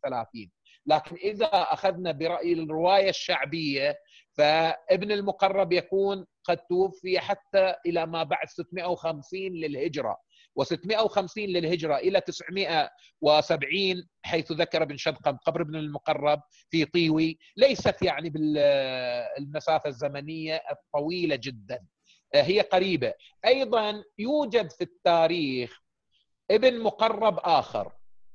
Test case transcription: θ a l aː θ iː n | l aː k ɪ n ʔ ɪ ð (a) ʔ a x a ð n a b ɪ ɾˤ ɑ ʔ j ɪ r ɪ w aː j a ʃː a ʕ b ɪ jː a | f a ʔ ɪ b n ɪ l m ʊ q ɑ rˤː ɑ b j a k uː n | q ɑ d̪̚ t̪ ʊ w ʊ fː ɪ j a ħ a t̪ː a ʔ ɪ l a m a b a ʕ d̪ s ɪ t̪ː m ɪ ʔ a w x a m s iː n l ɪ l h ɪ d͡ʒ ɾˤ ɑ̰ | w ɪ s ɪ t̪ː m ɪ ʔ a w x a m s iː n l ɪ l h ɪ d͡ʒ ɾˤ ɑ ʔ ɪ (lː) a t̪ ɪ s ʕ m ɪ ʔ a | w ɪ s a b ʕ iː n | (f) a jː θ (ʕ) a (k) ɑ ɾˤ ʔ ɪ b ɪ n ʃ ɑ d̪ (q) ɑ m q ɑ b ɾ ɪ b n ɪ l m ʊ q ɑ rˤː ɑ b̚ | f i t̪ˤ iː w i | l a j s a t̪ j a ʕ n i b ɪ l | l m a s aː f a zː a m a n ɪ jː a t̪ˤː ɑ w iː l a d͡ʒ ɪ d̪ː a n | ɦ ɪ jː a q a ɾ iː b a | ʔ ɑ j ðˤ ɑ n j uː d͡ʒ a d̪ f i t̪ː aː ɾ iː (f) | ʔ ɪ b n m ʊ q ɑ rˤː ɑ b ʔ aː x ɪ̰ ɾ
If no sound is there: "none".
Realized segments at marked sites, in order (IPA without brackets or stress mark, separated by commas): a, l, ħ, ð, k, q, x